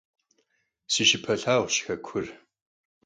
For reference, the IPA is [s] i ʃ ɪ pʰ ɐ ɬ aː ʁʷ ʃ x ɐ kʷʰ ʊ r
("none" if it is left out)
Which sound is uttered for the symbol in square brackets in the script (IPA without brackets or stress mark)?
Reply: s